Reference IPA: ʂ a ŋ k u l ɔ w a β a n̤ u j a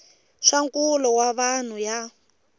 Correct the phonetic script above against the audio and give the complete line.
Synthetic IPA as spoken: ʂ a ŋ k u l ɔ w a β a n̤ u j a